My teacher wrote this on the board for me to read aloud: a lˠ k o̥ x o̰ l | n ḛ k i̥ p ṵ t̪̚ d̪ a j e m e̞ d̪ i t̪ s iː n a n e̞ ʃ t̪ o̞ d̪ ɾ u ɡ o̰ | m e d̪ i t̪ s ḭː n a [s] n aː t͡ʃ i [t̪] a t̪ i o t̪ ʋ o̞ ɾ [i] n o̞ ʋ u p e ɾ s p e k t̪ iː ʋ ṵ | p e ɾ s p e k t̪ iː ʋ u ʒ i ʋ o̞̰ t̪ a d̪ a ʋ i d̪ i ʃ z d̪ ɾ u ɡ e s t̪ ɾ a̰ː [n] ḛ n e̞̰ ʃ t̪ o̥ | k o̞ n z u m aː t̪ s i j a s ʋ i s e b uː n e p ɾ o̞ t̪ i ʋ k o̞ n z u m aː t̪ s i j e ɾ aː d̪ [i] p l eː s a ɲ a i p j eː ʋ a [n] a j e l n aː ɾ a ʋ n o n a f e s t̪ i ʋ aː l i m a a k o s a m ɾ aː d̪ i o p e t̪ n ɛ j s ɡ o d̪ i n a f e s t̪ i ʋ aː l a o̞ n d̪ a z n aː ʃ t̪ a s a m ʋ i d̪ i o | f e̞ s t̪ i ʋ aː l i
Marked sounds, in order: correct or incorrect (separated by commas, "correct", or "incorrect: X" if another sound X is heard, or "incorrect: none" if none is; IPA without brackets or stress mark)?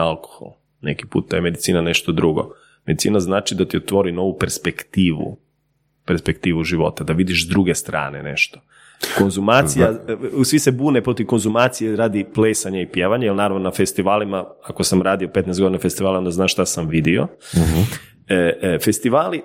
incorrect: z, incorrect: d̪, correct, correct, correct, incorrect: ɲ